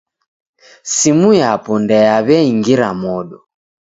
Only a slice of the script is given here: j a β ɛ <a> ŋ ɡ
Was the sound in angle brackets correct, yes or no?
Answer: no